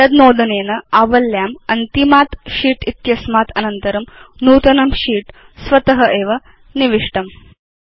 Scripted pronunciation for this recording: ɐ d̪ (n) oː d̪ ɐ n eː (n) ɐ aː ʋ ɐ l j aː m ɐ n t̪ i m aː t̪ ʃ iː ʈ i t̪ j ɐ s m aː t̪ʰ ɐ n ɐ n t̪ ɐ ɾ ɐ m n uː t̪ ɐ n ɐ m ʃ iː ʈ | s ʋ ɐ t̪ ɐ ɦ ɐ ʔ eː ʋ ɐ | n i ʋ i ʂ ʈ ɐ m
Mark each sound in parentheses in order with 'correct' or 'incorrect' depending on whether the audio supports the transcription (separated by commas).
correct, correct